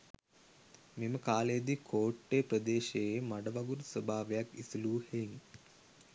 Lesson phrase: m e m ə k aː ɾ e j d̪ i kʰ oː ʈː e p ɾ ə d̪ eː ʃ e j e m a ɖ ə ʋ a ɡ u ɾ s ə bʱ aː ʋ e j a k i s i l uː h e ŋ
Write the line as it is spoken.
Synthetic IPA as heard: m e m ə k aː l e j d̪ i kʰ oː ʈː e p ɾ ə d̪ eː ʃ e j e m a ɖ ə ʋ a ɡ u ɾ s ə bʱ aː ʋ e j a k i s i l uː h e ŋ